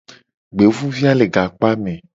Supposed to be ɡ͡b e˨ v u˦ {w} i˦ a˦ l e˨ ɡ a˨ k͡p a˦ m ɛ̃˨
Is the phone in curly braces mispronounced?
yes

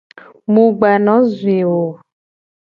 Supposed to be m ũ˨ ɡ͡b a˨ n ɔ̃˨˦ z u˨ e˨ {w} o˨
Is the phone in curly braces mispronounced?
no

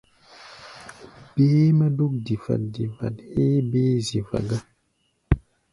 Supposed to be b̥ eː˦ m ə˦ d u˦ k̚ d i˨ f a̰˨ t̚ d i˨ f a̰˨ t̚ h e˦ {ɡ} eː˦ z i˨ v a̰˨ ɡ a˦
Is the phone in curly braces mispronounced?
yes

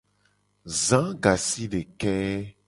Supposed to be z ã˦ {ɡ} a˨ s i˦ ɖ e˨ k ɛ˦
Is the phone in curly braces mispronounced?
no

